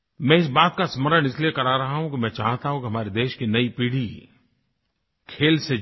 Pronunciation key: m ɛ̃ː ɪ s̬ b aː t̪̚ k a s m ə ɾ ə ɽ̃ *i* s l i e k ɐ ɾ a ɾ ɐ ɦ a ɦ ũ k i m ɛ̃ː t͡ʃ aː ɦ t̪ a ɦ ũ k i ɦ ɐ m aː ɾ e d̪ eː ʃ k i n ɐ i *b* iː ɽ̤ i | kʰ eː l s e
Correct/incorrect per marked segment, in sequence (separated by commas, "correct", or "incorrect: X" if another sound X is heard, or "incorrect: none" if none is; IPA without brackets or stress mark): incorrect: ɪ, incorrect: p